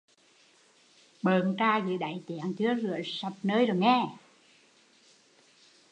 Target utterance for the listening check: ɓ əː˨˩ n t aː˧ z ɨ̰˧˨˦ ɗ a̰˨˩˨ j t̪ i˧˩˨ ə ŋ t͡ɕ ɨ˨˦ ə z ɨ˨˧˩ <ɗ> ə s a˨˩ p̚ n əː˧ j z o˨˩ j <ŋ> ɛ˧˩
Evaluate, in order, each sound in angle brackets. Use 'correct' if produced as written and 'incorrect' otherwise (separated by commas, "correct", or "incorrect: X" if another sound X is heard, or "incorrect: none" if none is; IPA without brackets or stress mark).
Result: incorrect: none, correct